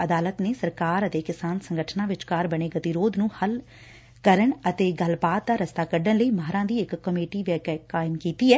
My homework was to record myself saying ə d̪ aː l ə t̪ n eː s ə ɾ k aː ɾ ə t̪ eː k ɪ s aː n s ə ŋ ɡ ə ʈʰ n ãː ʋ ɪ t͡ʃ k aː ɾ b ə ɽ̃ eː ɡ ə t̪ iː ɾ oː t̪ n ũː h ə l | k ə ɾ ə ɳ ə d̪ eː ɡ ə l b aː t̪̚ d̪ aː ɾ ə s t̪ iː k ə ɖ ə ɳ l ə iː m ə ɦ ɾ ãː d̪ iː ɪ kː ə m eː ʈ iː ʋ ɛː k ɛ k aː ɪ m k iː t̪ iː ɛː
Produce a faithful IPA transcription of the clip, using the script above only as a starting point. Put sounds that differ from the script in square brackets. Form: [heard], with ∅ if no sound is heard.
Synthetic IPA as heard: ə d̪ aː l ə t̪ n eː s ə ɾ k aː ɾ ə t̪ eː k ɪ s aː n s ə ŋ ɡ ə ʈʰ n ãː ʋ ɪ t͡ʃ k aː ɾ b ə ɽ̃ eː ɡ ə t̪ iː ɾ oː [d̪] n ũː h ə l | k ə ɾ ə ɳ ə [t̪] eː ɡ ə l b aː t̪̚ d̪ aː ɾ ə s t̪ [aː] k ə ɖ ə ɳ l ə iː m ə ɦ ɾ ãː d̪ iː ɪ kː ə m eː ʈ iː ʋ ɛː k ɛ k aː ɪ m k iː t̪ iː ɛː